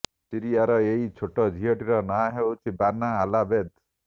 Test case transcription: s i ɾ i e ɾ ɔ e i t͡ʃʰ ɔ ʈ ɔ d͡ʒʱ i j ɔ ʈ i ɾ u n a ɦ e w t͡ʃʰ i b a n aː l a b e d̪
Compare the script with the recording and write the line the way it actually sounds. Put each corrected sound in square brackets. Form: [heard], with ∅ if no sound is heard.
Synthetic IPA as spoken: s i ɾ i [a] ɾ ɔ e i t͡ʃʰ [o] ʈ ɔ d͡ʒʱ i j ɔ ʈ i ɾ [ɔ] n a ɦ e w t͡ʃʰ i b a n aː l a b e d̪